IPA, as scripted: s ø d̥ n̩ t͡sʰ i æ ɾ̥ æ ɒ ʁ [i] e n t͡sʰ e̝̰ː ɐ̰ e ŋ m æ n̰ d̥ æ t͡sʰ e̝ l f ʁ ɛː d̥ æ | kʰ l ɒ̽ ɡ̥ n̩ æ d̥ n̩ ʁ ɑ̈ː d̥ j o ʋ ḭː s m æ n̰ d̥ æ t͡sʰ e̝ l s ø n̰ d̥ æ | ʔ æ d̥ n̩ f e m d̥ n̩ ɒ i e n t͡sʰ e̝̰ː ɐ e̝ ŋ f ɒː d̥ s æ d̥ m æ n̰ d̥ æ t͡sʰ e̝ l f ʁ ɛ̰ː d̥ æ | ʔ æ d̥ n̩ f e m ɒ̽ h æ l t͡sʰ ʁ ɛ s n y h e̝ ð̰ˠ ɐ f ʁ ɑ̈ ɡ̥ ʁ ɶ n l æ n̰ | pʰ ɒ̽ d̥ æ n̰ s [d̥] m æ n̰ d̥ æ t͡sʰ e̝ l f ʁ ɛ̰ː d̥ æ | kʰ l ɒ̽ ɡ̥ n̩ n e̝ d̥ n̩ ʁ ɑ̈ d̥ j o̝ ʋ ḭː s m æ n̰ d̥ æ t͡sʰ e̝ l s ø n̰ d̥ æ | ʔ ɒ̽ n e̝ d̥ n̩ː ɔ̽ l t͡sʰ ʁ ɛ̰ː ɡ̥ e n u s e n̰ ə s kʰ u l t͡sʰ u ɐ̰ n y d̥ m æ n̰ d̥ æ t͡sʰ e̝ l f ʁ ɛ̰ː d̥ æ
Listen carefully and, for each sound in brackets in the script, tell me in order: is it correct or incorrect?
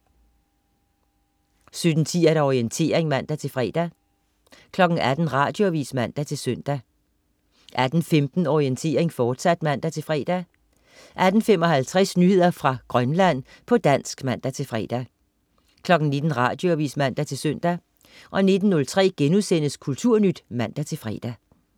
correct, incorrect: ɡ̥

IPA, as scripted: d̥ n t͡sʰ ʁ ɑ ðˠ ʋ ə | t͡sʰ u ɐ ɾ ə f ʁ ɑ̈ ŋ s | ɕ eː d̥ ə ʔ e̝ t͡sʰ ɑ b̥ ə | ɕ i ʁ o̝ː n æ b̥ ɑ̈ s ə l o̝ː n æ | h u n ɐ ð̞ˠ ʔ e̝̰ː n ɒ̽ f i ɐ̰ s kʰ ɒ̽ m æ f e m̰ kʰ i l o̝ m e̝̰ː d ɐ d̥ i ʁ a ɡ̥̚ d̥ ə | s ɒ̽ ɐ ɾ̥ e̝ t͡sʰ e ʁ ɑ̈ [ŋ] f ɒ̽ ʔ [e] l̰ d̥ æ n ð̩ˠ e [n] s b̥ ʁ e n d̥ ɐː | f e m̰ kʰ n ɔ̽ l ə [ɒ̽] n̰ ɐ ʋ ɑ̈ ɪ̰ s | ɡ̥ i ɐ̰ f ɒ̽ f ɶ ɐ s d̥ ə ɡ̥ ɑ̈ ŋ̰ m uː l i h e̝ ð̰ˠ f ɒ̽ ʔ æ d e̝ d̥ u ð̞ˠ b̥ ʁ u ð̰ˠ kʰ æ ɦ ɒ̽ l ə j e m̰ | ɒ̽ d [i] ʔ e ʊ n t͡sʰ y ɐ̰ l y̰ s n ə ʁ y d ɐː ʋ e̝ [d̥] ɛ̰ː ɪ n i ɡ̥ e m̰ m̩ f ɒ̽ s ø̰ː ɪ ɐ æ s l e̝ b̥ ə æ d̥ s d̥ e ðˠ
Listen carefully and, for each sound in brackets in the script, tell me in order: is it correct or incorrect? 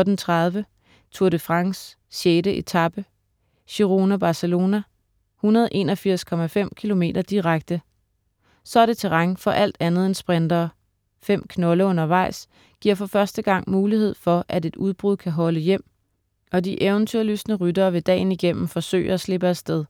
correct, incorrect: æ, correct, incorrect: ɔ̽, correct, correct

